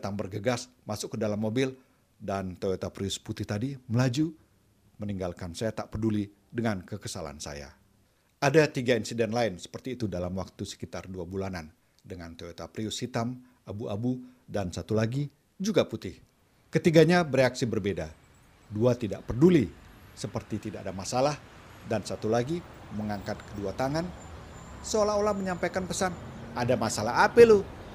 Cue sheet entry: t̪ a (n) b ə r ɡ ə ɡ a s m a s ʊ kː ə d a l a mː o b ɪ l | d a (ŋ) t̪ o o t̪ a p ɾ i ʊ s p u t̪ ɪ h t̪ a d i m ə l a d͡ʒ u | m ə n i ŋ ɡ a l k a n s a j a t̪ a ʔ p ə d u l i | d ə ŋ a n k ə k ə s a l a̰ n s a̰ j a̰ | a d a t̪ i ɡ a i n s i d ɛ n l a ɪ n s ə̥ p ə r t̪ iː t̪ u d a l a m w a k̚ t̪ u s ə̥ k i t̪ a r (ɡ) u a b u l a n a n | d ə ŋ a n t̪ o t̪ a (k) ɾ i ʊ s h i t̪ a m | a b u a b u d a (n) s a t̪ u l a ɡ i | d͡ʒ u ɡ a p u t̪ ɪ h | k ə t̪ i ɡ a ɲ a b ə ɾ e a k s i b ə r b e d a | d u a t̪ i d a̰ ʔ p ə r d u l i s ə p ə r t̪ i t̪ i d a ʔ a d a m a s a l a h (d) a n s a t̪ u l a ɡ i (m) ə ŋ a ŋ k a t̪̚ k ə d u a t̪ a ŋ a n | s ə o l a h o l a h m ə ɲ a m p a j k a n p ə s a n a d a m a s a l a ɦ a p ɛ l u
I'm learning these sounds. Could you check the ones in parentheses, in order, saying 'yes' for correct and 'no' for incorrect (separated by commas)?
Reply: no, no, no, no, yes, yes, yes